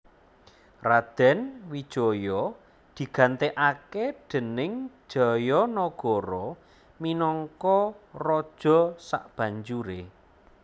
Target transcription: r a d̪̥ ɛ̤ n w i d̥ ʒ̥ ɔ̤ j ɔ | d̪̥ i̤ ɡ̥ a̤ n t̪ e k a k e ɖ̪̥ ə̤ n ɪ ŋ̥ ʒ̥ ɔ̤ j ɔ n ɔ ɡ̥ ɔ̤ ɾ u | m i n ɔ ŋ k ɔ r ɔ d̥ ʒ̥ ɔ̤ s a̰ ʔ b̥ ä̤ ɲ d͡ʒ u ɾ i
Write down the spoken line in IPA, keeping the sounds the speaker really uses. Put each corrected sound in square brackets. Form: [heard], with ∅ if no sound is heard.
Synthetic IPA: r a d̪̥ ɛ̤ n w i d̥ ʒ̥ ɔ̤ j ɔ | d̪̥ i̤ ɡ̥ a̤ n t̪ e [ʔ] a k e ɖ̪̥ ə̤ n ɪ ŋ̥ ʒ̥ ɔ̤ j ɔ n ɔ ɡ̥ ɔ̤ ɾ [ɔ] | m i n ɔ ŋ k ɔ r ɔ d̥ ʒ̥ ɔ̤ s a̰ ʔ b̥ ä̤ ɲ d͡ʒ u ɾ [e]

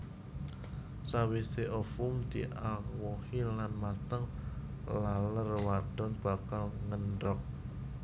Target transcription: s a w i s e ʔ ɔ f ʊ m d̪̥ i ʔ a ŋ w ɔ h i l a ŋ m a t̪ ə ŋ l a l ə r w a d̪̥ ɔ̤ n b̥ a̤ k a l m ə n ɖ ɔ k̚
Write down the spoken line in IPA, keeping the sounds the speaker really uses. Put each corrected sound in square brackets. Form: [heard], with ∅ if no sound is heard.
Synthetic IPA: s a w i s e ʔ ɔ f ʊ m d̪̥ i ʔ a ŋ w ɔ h i l a [n] m a t̪ ə ŋ l a l ə r w a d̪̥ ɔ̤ n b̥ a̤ k a l [ŋ] ə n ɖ ɔ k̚

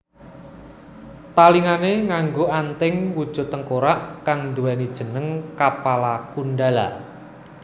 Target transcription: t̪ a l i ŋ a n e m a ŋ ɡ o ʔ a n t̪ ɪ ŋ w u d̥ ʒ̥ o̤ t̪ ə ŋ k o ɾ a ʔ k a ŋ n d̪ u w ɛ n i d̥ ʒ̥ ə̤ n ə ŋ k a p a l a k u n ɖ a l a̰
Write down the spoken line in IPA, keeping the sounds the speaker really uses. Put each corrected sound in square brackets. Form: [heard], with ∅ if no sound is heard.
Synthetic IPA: t̪ a l i ŋ a n e [ŋ] a ŋ ɡ o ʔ a n t̪ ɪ ŋ w u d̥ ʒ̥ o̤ t̪ ə ŋ k o ɾ a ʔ k a ŋ n d̪ u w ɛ n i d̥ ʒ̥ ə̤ n ə ŋ k a p a l a k u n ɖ a l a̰

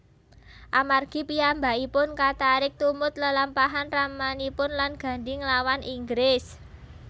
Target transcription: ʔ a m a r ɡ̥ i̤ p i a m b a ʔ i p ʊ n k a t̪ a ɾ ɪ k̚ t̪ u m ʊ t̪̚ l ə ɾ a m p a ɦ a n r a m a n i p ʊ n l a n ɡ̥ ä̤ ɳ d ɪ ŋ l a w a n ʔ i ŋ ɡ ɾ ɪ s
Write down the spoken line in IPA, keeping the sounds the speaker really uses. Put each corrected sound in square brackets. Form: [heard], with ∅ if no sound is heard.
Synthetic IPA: ʔ a m a r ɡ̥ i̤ p i a m b a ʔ i p ʊ n k a t̪ a ɾ ɪ k̚ t̪ u m ʊ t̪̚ l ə [l] a m p a ɦ a n r a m a n i p ʊ n l a n ɡ̥ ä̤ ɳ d ɪ ŋ l a w a n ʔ i ŋ ɡ ɾ ɪ s

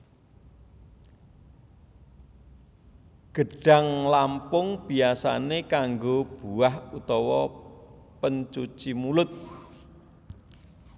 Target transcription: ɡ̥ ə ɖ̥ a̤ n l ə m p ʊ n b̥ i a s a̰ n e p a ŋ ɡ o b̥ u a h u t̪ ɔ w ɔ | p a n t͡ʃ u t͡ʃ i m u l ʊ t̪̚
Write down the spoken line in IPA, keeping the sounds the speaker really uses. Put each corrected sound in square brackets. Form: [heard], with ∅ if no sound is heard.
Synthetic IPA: ɡ̥ ə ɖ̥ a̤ [ŋ] l [a] m p ʊ [ŋ] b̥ i a s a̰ n e [k] a ŋ ɡ o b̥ u a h u t̪ ɔ w ɔ | p [ə] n t͡ʃ u t͡ʃ i m u l ʊ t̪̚

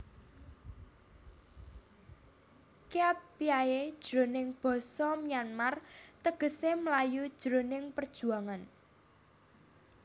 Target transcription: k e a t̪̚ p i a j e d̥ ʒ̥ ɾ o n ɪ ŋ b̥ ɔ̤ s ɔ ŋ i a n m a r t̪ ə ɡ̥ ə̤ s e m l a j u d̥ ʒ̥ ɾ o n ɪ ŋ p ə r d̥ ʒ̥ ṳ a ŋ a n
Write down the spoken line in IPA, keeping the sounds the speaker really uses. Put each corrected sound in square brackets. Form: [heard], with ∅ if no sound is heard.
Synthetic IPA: k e a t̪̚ p i a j e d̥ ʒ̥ ɾ o n ɪ ŋ b̥ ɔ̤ s ɔ [m] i a n m a r t̪ ə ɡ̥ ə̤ s e m l a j u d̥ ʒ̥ ɾ o n ɪ ŋ p ə r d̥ ʒ̥ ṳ a ŋ a n

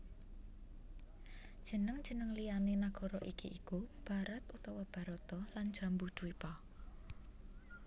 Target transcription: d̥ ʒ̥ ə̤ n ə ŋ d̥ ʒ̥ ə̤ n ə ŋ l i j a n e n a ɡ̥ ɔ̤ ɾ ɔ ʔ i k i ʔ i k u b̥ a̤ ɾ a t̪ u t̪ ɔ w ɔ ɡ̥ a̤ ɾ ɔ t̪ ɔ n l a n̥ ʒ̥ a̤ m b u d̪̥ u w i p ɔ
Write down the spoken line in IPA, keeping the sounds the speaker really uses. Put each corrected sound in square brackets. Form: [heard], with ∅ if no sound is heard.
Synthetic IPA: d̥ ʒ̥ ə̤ n ə ŋ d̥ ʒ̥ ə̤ n ə ŋ l i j a n e n a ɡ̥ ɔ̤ ɾ ɔ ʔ i k i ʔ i k u b̥ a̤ ɾ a t̪ u t̪ ɔ w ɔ [b̥] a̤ ɾ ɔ t̪ ɔ [∅] l a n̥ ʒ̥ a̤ m b u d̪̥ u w i p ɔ

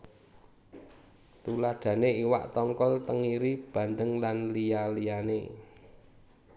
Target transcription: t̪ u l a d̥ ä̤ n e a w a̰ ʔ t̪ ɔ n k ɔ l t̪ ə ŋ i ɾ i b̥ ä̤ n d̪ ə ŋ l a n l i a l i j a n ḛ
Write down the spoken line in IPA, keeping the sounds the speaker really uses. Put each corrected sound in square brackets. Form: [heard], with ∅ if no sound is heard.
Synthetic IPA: t̪ u l a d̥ ä̤ n e [i] w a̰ ʔ t̪ ɔ [ŋ] k ɔ l t̪ ə ŋ i ɾ i b̥ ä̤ n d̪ ə ŋ l a n l i a l i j a n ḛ

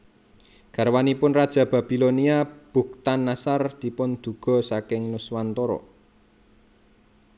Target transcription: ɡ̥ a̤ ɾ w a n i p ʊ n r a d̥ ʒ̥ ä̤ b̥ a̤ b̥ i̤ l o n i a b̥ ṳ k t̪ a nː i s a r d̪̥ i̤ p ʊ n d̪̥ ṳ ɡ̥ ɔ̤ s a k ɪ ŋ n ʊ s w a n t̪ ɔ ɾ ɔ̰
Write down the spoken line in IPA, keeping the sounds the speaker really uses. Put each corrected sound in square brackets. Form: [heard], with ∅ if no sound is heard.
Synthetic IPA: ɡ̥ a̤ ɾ w a n i p ʊ n r a d̥ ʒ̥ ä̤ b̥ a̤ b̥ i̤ l o n i a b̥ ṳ k t̪ a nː [a] s a r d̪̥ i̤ p ʊ n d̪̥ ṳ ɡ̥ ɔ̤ s a k ɪ ŋ n ʊ s w a n t̪ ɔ ɾ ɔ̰

